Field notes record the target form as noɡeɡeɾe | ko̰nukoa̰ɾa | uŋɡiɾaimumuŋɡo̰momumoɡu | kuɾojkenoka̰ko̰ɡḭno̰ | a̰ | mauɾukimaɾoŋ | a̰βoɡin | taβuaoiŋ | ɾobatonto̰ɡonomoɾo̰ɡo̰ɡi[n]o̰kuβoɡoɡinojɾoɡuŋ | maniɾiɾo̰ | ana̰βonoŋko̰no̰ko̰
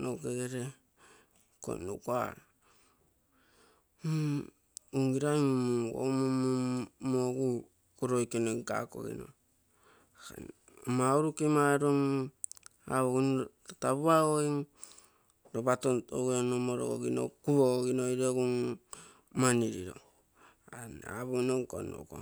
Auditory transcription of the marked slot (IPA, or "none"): n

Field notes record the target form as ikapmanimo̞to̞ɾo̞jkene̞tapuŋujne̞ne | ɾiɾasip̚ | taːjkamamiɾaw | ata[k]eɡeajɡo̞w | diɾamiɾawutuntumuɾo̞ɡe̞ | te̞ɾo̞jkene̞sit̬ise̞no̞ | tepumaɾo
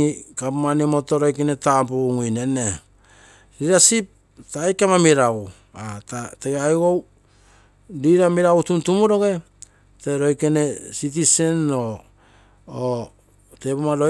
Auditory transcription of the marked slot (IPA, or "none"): t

